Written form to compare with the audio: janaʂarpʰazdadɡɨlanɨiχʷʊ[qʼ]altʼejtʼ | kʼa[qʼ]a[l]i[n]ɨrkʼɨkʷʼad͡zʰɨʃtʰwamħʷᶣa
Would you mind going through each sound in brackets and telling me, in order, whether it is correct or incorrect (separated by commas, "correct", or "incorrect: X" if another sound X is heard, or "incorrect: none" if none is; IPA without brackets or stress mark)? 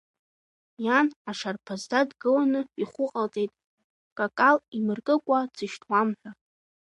correct, incorrect: kʼ, correct, incorrect: m